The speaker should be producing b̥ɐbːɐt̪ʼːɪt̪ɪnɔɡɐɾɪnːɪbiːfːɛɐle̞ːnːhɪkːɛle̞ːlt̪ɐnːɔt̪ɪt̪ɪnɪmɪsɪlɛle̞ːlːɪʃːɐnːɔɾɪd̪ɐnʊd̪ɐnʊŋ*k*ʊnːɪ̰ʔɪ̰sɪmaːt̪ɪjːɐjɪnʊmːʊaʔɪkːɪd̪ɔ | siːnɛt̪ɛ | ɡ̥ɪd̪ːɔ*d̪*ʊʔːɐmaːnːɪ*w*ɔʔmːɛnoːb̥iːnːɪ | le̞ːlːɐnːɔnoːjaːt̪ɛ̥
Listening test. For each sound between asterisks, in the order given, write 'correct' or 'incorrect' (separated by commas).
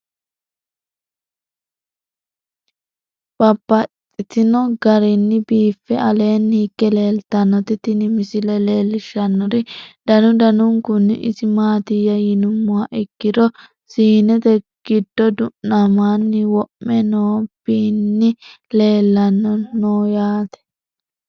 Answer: correct, correct, correct